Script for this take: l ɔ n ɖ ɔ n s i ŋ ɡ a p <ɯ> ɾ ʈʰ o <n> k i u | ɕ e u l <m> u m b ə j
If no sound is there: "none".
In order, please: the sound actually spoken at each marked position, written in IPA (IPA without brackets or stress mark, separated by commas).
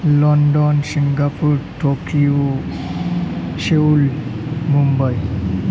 u, none, m